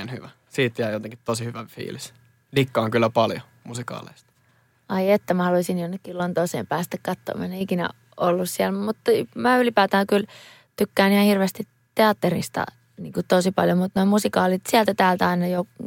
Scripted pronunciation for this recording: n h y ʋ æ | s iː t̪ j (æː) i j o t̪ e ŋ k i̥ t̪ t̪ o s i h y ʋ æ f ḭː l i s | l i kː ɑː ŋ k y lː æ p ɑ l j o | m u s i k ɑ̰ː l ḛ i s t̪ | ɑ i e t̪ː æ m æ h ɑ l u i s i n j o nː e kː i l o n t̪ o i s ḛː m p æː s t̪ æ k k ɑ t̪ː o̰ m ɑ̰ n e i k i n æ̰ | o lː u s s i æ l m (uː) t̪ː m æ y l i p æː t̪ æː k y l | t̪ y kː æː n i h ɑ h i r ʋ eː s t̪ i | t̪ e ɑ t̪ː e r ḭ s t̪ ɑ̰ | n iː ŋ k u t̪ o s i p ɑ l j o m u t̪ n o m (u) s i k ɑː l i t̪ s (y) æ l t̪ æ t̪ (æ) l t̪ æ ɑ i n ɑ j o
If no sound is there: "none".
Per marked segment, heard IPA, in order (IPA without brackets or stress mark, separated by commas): æ, u, u, i, æː